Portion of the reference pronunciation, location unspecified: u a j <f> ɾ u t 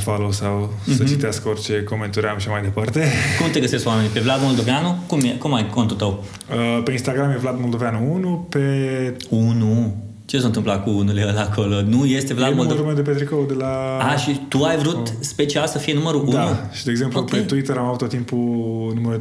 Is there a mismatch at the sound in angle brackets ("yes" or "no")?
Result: yes